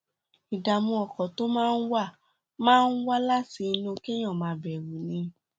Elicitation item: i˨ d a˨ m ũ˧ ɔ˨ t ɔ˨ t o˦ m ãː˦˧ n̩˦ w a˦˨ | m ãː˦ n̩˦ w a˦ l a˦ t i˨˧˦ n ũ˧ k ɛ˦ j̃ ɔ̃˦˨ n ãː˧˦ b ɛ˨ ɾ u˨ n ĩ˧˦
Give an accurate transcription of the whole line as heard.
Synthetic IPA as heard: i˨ d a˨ m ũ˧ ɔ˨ k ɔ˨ t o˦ m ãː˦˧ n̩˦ w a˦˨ | m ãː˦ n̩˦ w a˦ l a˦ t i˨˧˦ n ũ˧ k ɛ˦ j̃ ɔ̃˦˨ m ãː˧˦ b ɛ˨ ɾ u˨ n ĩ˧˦